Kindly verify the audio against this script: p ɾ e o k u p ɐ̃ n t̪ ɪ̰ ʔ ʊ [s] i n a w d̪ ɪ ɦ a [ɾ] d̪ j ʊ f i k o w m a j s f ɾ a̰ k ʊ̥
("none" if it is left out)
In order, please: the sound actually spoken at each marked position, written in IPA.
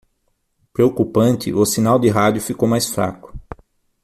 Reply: s, none

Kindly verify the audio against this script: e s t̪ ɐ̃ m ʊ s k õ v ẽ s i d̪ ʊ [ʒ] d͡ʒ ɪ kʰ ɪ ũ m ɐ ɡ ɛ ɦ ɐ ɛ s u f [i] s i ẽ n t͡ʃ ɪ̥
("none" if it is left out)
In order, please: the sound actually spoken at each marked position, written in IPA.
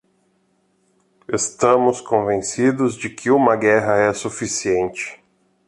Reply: z, i

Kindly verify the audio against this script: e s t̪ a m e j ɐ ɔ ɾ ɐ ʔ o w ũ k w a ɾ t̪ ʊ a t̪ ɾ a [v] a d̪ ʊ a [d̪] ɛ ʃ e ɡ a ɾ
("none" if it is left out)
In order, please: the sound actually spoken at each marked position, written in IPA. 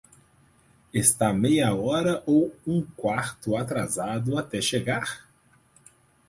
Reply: z, t̪

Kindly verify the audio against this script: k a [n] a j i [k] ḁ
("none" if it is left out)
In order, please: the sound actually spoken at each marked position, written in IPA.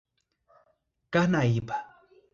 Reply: n, p

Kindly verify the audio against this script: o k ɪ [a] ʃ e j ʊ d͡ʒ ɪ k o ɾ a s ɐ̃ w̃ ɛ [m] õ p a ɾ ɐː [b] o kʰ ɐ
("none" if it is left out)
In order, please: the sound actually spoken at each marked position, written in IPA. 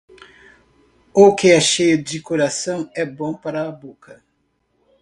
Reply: ɛ, b, b

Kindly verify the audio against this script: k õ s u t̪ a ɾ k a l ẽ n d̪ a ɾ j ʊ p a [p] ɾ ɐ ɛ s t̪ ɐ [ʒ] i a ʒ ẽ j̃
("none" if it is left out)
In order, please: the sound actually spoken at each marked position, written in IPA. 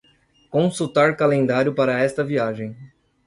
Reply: none, v

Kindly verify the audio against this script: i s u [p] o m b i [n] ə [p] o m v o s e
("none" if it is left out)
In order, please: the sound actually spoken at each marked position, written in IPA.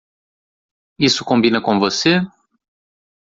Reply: k, n, k

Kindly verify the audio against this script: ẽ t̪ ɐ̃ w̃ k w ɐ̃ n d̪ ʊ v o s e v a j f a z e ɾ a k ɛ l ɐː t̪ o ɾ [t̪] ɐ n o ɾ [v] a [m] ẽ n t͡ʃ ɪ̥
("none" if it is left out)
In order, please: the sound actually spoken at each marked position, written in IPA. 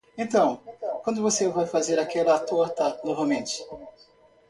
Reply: t̪, v, m

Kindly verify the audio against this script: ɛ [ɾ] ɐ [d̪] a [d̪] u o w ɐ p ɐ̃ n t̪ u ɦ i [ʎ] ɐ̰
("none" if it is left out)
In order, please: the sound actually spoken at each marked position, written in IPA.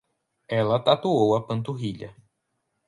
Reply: l, t̪, t̪, ʎ

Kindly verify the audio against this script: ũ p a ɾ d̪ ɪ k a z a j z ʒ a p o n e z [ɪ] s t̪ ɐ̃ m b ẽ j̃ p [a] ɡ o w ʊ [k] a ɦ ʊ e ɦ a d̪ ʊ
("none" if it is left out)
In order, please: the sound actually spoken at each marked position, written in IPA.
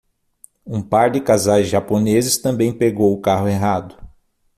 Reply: ɪ, e, k

